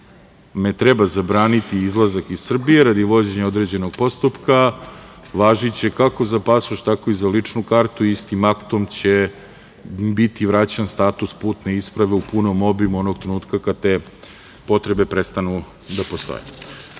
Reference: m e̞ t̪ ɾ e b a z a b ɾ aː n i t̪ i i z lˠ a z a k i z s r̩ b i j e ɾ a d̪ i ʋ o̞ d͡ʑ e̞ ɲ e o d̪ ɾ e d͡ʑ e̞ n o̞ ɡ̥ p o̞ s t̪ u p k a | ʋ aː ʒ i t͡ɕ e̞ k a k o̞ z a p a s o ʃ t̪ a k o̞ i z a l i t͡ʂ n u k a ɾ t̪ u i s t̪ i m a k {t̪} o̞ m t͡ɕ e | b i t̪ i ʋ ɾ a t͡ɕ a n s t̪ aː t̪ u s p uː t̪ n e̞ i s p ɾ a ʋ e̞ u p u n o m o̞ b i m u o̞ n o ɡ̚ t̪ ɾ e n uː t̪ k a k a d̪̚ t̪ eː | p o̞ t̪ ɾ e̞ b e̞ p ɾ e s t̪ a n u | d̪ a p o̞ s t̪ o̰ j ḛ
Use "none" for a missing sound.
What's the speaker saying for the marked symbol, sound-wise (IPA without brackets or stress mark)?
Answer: t̪